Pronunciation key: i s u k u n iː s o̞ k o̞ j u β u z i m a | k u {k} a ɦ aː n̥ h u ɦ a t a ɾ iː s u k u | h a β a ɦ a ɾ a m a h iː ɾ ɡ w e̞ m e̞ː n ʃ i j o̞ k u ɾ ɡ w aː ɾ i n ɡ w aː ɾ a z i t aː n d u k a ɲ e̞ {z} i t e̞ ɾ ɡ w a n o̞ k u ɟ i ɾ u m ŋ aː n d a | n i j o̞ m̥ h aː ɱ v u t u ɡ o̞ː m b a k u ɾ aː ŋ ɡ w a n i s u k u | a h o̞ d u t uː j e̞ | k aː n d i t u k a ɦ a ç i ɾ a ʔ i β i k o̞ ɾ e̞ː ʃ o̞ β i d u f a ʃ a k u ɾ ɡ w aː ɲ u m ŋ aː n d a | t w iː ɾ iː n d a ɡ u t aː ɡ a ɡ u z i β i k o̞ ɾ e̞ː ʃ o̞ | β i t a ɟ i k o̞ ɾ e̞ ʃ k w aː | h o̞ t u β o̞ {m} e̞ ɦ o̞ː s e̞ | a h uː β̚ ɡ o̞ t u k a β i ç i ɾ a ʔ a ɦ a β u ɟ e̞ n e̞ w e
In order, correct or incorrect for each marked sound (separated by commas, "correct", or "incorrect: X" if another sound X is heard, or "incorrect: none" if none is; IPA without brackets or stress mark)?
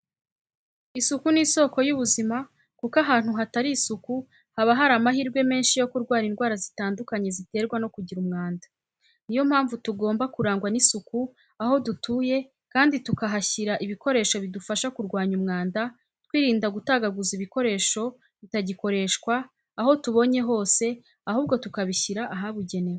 correct, correct, incorrect: ɲ